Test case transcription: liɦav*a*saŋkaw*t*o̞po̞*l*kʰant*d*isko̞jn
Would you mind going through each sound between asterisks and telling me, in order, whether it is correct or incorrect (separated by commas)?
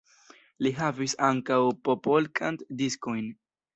incorrect, incorrect, correct, correct